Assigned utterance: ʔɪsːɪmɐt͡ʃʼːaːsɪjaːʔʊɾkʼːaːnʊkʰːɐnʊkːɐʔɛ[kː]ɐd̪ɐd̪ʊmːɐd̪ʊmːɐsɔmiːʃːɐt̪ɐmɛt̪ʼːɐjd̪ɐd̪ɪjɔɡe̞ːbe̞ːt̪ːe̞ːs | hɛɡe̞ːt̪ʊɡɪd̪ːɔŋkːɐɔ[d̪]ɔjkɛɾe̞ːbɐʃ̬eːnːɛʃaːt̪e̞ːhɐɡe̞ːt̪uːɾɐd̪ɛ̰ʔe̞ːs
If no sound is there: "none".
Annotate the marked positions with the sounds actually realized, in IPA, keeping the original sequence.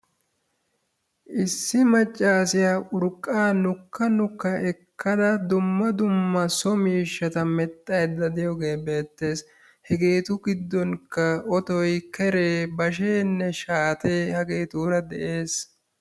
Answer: kː, t̪

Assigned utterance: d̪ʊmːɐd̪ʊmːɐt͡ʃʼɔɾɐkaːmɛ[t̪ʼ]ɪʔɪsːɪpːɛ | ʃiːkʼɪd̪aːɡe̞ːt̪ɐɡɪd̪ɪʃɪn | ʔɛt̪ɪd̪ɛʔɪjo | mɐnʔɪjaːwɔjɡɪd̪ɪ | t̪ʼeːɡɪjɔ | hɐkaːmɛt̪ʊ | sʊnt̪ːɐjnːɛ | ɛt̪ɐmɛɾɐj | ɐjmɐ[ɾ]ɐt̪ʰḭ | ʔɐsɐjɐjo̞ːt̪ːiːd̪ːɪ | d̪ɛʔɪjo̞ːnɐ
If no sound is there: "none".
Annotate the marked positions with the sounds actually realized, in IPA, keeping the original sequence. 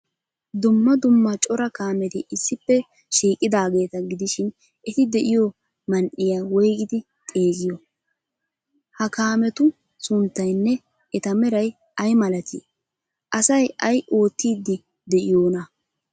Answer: t̪, l

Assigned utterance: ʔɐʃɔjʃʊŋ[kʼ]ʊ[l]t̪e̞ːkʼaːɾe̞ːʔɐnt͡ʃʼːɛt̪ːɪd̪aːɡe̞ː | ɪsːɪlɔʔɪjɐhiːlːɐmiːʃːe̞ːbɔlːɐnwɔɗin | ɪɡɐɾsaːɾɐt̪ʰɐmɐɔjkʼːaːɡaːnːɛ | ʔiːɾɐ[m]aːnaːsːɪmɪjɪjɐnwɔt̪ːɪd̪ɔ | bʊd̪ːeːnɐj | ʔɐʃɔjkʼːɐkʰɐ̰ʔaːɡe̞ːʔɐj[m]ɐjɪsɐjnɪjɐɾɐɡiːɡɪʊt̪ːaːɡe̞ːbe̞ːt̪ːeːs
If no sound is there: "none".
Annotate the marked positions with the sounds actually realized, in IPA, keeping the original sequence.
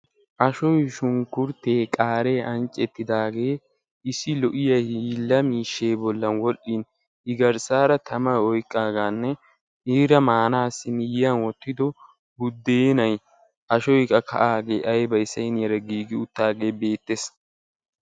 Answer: k, ɾ, m, b

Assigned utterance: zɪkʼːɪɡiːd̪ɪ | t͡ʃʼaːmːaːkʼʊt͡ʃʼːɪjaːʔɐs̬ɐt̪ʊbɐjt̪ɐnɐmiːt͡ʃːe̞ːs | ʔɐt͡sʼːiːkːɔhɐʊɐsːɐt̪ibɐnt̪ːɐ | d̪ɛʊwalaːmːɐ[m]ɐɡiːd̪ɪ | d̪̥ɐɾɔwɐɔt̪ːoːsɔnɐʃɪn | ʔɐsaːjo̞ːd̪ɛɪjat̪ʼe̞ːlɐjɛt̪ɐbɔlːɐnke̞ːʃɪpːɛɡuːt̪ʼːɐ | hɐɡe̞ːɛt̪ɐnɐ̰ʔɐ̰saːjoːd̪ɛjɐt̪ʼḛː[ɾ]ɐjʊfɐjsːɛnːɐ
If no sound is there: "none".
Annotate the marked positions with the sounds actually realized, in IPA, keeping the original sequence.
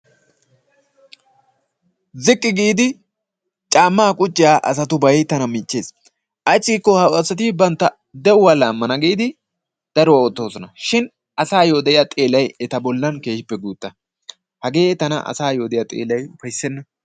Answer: n, l

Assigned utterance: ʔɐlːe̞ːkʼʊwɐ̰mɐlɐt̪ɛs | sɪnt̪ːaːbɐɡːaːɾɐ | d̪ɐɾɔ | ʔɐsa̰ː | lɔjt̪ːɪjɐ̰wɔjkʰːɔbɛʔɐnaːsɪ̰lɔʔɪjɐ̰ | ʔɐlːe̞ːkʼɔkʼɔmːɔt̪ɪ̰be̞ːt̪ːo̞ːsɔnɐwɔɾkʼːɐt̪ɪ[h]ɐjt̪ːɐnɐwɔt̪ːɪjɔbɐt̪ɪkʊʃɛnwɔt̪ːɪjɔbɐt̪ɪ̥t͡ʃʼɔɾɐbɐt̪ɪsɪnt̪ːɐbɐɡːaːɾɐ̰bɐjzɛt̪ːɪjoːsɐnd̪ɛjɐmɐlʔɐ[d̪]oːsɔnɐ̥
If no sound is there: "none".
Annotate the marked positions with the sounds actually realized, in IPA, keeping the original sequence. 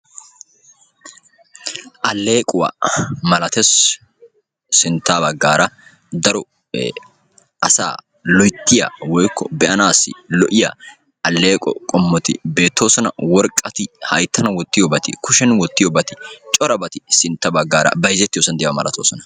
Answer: h, t̪

